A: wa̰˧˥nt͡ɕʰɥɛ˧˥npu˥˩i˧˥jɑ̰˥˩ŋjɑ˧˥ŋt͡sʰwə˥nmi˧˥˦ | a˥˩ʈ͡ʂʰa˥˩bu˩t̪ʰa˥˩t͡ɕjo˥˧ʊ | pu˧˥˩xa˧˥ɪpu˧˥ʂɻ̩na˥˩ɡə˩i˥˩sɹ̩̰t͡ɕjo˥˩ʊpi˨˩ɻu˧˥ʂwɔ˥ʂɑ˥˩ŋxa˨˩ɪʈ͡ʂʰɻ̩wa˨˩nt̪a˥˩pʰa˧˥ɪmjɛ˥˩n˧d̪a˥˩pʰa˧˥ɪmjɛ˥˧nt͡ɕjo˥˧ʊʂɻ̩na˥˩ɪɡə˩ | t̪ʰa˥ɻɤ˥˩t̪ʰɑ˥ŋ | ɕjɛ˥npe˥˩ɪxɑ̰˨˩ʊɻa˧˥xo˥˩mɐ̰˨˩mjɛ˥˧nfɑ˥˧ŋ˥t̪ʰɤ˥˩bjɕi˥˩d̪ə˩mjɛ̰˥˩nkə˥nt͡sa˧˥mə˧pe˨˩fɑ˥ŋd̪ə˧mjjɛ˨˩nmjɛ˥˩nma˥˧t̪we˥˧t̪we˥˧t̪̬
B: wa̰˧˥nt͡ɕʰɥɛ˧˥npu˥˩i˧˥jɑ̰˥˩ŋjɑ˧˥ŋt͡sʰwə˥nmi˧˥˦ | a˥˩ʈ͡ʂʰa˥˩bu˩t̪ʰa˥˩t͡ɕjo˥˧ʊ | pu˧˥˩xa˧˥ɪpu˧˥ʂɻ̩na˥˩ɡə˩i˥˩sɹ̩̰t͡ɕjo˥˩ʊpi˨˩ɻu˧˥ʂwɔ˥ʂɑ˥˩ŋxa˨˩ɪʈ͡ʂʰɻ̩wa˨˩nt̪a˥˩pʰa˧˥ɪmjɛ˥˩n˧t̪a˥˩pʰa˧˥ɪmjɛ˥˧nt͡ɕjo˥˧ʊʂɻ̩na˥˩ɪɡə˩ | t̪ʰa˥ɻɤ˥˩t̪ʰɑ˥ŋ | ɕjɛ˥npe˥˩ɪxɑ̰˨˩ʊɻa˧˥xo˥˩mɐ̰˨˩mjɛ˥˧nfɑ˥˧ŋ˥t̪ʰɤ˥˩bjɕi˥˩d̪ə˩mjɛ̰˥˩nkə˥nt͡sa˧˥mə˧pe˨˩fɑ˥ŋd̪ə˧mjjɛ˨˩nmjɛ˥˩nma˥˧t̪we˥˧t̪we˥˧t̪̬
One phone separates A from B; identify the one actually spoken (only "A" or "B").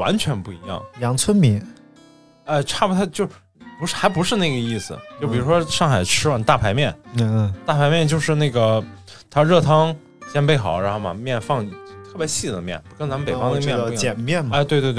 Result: B